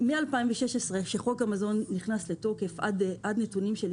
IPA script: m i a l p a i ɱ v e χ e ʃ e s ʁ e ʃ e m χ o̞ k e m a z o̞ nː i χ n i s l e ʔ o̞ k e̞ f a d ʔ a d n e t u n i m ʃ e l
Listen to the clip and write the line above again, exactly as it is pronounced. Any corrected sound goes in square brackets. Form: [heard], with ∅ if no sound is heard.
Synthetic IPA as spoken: m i a l p a i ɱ v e [ʃ] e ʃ e s ʁ e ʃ e [∅] χ o̞ k [a] m a z o̞ nː i χ n [a] s l e [t] o̞ k e̞ f a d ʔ a d n e t u n i m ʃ e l